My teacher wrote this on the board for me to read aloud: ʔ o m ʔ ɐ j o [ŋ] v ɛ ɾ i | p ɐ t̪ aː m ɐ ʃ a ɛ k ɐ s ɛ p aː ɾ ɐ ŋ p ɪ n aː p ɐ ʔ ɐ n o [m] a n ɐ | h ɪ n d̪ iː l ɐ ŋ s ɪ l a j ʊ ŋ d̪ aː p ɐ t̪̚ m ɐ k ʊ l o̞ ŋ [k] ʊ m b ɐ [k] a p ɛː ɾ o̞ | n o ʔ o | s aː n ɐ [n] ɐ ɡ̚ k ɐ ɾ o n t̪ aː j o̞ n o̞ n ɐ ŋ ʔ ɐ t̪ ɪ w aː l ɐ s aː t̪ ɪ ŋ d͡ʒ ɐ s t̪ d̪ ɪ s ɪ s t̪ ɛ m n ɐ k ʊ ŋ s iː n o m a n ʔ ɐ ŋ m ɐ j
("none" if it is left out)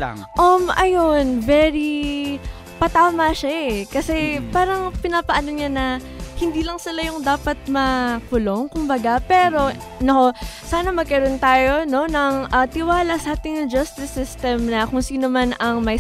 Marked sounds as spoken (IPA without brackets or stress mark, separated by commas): n, ɲ, k, ɡ, m